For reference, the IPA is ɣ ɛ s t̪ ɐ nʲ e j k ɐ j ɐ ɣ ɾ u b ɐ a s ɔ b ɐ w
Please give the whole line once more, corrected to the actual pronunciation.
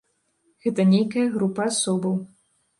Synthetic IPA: ɣ ɛ t̪ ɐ nʲ e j k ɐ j ɐ ɣ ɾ u p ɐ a s ɔ b ɐ w

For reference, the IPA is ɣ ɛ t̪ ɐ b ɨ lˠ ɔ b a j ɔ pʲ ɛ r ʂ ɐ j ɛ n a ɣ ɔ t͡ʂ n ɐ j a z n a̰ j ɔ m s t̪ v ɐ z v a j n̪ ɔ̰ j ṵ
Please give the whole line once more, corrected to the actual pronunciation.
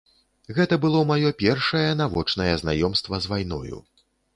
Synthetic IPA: ɣ ɛ t̪ ɐ b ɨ lˠ ɔ m a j ɔ pʲ ɛ r ʂ ɐ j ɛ n a v ɔ t͡ʂ n ɐ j ɛ z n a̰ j ɔ m s t̪ v ɐ z v a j n̪ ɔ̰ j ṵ

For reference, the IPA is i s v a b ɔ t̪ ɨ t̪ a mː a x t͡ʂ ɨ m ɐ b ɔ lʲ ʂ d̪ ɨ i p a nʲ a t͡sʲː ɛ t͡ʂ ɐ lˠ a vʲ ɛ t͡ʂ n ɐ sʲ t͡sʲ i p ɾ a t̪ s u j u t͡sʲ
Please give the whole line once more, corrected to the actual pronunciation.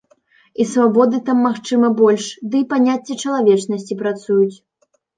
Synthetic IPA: i s v a b ɔ d̪ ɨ t̪ a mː a x t͡ʂ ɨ m ɐ b ɔ lʲ ʂ d̪ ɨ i p a nʲ a t͡sʲː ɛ t͡ʂ ɐ lˠ a vʲ ɛ t͡ʂ n ɐ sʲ t͡sʲ i p ɾ a t̪ s u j u t͡sʲ

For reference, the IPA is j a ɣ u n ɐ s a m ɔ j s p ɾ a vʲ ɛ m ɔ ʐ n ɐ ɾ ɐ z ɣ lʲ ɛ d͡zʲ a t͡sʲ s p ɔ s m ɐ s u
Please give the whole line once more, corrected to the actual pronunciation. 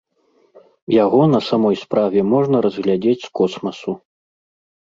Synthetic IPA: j a ɣ ɔ n ɐ s a m ɔ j s p ɾ a vʲ ɛ m ɔ ʐ n ɐ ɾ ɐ z ɣ lʲ a d͡zʲ e t͡sʲ s k ɔ s m ɐ s u

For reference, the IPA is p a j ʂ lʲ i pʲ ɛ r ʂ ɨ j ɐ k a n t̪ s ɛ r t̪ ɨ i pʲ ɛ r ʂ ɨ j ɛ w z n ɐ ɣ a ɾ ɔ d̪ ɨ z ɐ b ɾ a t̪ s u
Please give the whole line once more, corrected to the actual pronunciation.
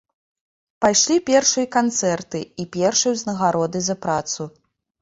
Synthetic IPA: p a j ʂ lʲ i pʲ ɛ r ʂ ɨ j ɐ k a n t̪ s ɛ r t̪ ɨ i pʲ ɛ r ʂ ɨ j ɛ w z n ɐ ɣ a ɾ ɔ d̪ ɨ z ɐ p ɾ a t̪ s u

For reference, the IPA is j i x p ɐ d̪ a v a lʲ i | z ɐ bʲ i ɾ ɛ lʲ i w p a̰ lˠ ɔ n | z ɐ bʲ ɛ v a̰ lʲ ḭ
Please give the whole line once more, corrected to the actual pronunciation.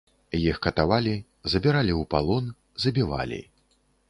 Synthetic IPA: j i x k ɐ t̪ a v a lʲ i | z ɐ bʲ i ɾ a lʲ i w p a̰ lˠ ɔ n | z ɐ bʲ i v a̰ lʲ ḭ

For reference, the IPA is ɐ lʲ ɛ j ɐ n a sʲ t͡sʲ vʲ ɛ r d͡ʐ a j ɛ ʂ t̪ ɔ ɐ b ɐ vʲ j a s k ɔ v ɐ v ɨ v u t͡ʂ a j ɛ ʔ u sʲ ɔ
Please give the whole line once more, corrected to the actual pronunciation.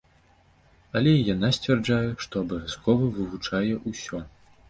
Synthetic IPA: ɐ lʲ ɛ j a n a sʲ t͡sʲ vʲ ɛ r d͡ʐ a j ɛ ʂ t̪ ɔ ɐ b ɐ vʲ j a s k ɔ v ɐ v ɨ v u t͡ʂ a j ɛ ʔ u sʲ ɔ

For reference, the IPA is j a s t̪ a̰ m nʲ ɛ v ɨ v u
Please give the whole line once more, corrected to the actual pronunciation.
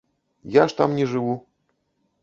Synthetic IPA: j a ʂ t̪ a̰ m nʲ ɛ ʐ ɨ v u

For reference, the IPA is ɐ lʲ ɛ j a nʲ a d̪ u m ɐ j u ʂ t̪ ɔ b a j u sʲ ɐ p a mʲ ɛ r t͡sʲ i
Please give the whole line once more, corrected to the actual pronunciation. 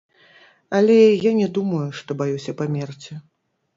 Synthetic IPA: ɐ lʲ ɛ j a nʲ ɛ d̪ u m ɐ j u ʂ t̪ ɔ b a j u sʲ ɐ p a mʲ ɛ r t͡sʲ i

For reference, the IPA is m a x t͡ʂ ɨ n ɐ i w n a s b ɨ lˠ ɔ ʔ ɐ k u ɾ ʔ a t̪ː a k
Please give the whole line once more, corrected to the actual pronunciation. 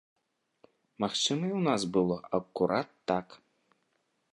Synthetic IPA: m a x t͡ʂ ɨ m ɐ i w n a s b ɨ lˠ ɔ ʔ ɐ k u ɾ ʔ a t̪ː a k

